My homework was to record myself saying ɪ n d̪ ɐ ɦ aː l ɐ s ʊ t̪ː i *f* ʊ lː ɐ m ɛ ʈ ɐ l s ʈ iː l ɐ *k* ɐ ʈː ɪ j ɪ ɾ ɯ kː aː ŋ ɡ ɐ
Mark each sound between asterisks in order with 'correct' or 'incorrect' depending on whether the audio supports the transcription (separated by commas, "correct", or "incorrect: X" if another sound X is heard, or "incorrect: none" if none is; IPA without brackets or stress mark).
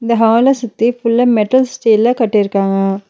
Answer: correct, correct